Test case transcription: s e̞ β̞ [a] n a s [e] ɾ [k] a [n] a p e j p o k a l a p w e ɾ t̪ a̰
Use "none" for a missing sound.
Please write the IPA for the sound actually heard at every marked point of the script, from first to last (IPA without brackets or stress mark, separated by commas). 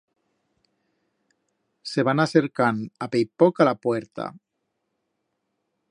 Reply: a, e, k, n